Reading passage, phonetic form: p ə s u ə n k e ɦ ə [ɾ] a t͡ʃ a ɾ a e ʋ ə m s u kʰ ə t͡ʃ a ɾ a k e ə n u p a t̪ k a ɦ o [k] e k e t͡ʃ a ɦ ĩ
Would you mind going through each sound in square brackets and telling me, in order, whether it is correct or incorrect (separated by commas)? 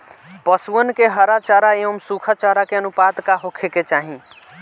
correct, incorrect